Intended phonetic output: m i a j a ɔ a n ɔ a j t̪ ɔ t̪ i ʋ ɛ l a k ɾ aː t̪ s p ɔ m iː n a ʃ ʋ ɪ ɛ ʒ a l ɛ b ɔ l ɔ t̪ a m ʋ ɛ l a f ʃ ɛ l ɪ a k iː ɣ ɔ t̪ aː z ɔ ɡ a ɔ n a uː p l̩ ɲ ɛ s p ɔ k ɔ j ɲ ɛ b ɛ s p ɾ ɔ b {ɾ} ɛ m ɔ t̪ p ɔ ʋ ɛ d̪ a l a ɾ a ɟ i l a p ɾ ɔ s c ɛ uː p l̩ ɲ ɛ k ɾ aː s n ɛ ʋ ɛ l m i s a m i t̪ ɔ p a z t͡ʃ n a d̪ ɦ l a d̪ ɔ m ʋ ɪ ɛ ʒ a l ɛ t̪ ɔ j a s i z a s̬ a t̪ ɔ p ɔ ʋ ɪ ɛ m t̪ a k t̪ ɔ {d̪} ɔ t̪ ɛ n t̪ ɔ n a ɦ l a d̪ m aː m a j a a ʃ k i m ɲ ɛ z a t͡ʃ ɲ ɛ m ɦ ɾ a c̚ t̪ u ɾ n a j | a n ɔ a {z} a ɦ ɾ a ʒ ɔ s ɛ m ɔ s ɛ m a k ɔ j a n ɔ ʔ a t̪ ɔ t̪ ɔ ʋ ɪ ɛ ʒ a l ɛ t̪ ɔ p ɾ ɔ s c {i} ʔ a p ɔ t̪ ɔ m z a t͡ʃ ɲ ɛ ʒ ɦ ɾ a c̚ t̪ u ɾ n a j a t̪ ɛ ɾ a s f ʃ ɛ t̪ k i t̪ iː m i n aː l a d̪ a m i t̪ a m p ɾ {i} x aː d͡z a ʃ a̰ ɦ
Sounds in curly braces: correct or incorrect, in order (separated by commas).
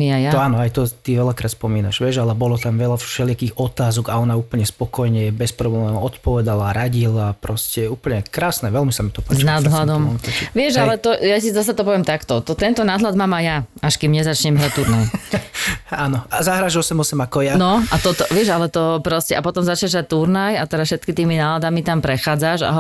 incorrect, incorrect, correct, incorrect, incorrect